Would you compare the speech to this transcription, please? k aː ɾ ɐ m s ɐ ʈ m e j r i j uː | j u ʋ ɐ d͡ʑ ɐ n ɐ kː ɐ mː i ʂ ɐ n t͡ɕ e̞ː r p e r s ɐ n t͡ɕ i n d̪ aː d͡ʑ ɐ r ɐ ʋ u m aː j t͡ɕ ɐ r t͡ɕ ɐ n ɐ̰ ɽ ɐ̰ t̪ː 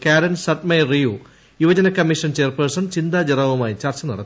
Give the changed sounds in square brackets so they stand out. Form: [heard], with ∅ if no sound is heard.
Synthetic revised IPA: k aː ɾ ɐ [n] s ɐ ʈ m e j r i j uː | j u ʋ ɐ d͡ʑ ɐ n ɐ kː ɐ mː i ʂ ɐ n t͡ɕ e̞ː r p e r s ɐ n t͡ɕ i n d̪ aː d͡ʑ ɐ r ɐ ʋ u m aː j t͡ɕ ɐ r t͡ɕ ɐ n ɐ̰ ɽ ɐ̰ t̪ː